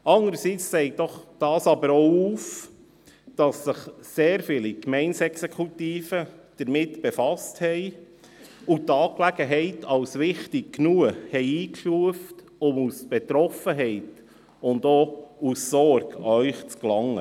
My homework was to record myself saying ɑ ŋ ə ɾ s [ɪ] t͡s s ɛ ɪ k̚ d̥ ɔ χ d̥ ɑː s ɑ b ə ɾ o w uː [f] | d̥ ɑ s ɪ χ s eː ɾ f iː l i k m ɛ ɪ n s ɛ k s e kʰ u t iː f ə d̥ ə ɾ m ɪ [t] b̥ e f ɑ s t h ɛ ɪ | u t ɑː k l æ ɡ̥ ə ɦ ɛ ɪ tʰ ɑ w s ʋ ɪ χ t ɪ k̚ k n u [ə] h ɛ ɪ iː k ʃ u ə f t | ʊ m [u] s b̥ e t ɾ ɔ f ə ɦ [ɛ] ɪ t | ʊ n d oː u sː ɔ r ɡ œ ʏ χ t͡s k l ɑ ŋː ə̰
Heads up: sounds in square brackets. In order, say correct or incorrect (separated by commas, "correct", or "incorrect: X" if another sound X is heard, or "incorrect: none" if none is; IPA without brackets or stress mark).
incorrect: i, correct, correct, correct, correct, correct